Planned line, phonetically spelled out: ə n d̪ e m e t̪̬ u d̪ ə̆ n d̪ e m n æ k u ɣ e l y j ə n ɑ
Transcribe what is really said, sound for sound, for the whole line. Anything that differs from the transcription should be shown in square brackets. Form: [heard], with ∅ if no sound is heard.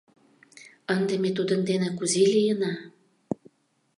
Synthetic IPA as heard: ə n d̪ e m e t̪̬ u d̪ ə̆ n d̪ e [∅] n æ k u [z] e l [i] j ə n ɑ

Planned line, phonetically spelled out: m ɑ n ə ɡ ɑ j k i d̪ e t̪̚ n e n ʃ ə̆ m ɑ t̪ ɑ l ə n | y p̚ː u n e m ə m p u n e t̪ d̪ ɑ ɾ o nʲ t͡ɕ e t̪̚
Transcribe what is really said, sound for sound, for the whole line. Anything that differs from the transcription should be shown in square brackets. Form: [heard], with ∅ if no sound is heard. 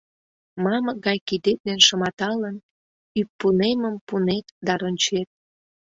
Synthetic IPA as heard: m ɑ [m] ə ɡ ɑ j k i d̪ e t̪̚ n e n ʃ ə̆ m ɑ t̪ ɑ l ə n | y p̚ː u n e m ə m p u n e t̪ d̪ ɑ ɾ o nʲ t͡ɕ e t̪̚

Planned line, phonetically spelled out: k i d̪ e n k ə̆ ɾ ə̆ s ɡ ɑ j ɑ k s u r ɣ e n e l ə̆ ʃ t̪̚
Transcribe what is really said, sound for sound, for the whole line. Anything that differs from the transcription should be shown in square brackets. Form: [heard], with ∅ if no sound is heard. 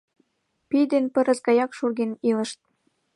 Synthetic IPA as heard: [p] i d̪ e n [p] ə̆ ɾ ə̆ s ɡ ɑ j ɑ k [ʃ] u r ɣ e n [i] l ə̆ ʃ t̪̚

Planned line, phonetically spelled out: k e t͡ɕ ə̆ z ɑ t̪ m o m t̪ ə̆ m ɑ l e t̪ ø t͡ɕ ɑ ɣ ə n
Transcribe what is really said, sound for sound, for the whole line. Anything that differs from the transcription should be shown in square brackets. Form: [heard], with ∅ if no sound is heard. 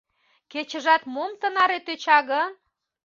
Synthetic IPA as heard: k e t͡ɕ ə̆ [ʒ] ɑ t̪ m o m t̪ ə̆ [n] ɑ [ɾ] e t̪ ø t͡ɕ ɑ ɣ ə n

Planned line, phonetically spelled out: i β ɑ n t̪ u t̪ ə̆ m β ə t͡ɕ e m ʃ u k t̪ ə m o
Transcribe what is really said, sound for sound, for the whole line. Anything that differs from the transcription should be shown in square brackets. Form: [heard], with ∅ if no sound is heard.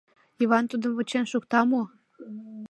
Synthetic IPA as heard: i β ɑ n t̪ u [d̪] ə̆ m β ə t͡ɕ e [n] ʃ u k t̪ [ɑ] m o

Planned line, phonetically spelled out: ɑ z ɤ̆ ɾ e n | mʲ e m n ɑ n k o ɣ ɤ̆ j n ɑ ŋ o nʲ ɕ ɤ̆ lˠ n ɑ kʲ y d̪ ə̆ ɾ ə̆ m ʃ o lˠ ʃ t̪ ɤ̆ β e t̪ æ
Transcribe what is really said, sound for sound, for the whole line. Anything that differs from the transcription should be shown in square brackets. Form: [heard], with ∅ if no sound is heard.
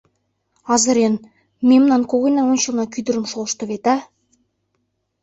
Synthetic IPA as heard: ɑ z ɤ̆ ɾ e n | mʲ e m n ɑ n k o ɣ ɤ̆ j n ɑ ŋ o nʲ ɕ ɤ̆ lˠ n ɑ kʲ y d̪ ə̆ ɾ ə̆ m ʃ o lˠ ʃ t̪ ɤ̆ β e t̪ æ

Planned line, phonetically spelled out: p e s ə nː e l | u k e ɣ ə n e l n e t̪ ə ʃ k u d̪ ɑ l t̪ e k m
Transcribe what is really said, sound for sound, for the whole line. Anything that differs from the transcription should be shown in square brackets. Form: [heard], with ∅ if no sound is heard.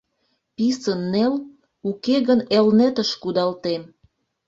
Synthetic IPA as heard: p [i] s ə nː e l | u k e ɣ ə n e l n e t̪ ə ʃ k u d̪ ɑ l t̪ e [∅] m

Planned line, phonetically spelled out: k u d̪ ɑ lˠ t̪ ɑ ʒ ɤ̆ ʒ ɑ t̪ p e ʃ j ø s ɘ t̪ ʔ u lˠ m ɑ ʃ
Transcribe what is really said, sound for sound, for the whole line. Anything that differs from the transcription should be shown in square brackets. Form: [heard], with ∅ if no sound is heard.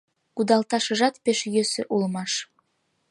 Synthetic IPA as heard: k u d̪ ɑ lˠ t̪ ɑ [ʃ] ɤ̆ ʒ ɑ t̪ p e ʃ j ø s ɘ [∅] ʔ u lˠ m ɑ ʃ

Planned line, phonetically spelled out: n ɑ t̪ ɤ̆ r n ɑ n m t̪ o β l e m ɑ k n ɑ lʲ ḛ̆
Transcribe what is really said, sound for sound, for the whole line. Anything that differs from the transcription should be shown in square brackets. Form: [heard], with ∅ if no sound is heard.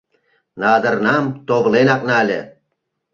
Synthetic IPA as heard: n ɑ [d̪] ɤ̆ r n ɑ [∅] m t̪ o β l e [n] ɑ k n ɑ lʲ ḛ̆

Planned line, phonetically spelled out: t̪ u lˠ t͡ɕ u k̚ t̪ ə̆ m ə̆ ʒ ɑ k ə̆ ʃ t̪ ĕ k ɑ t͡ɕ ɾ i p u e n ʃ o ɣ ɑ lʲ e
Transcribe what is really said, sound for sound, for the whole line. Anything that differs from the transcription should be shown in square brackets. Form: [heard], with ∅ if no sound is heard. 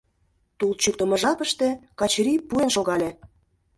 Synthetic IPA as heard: t̪ u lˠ t͡ɕ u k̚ t̪ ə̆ m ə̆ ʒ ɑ [p] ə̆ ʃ t̪ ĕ k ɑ t͡ɕ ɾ i p u e n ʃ o ɣ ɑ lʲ e

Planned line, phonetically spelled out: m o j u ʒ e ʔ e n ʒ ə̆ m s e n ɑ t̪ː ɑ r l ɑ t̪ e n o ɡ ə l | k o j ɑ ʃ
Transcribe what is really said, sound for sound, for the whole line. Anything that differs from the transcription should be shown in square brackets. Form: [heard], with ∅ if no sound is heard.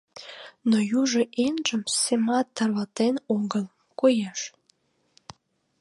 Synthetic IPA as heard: [n] o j u ʒ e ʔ e n ʒ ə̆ m s e [m] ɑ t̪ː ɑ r l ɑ t̪ e n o ɡ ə l | k o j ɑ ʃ

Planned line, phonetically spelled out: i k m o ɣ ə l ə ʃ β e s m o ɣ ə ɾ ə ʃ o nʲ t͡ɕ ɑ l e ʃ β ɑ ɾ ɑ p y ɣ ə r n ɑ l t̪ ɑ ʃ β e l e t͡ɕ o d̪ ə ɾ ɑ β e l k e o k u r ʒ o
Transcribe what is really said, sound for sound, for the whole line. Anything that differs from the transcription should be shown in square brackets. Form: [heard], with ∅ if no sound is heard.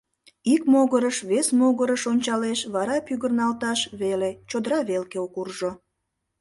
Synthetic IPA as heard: i k m o ɣ ə [ɾ] ə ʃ β e s m o ɣ ə ɾ ə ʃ o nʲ t͡ɕ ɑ l e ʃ β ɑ ɾ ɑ p y ɣ ə r n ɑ l t̪ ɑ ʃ β e l e t͡ɕ o d̪ ə ɾ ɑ β e l k e o k u r ʒ o

